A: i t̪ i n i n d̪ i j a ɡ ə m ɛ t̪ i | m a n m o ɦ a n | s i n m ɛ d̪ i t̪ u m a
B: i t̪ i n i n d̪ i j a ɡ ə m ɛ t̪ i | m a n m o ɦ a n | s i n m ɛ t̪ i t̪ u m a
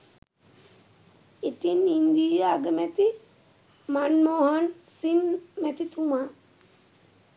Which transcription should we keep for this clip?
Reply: B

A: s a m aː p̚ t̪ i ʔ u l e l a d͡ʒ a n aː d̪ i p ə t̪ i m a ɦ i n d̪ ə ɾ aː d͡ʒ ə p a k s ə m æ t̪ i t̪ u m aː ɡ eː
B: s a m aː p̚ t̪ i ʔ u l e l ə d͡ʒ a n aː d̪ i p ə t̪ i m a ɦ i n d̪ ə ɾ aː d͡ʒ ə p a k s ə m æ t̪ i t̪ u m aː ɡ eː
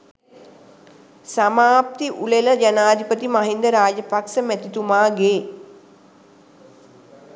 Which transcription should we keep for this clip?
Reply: B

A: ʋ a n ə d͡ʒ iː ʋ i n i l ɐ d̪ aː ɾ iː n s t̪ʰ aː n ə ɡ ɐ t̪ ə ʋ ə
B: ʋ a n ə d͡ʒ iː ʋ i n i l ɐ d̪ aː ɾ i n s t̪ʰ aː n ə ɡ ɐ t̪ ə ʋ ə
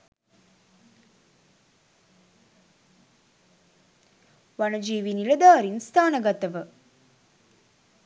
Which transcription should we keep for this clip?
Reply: B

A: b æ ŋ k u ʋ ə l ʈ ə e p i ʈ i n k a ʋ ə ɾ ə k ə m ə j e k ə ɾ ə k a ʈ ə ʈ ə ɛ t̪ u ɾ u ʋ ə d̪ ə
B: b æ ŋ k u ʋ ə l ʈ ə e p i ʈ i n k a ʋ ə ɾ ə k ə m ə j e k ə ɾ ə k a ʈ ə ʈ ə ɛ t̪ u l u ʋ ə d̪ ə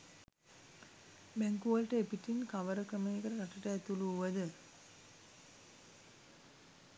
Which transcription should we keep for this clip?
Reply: B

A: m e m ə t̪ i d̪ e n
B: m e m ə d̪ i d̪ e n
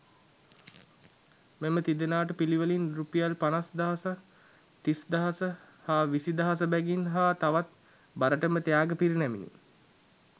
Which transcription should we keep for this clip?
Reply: A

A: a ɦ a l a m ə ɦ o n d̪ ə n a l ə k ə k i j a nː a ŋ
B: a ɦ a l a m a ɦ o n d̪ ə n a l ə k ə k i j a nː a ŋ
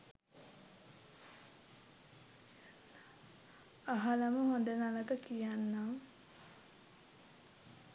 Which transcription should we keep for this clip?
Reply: A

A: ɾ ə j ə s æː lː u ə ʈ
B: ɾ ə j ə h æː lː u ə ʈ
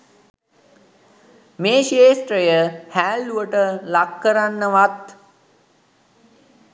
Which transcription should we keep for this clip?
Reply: B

